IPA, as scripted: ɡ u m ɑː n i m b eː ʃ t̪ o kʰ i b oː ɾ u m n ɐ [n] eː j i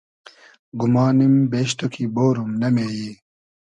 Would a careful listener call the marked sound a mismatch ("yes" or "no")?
yes